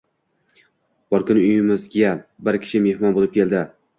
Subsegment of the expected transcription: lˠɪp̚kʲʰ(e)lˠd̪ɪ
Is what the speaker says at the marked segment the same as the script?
yes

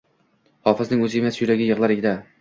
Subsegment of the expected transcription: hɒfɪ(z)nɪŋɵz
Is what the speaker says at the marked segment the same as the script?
yes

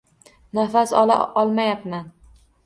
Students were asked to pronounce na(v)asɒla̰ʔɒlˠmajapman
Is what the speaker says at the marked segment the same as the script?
no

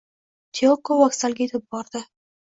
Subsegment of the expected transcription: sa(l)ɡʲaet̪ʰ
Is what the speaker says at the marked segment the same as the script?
yes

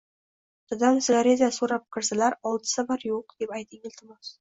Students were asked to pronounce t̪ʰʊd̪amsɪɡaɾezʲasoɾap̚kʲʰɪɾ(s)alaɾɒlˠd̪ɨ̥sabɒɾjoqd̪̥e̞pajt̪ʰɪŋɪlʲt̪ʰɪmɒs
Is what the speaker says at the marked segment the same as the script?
yes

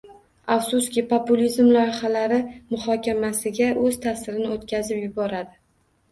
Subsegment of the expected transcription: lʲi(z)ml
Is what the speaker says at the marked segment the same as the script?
yes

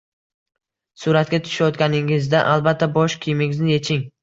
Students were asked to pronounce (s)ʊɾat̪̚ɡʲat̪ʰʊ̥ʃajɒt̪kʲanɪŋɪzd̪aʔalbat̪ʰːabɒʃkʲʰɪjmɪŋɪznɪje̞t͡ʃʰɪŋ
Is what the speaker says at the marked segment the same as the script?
yes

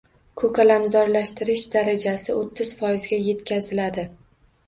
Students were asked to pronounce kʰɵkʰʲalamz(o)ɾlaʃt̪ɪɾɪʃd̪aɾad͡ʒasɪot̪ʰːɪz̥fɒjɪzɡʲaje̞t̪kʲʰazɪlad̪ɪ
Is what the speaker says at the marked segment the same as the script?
no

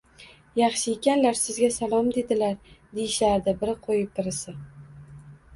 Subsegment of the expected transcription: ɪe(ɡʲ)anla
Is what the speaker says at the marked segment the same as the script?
no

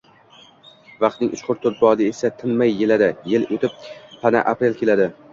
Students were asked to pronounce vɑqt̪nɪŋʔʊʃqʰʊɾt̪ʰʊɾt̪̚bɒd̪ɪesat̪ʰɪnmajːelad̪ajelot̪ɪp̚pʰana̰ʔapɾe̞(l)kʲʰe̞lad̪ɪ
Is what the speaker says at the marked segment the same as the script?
yes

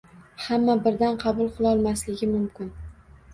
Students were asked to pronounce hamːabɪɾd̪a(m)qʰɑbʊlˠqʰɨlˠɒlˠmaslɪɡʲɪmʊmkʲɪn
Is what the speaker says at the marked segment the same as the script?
no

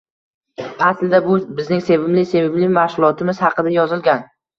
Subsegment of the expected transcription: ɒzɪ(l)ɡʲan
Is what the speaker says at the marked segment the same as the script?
yes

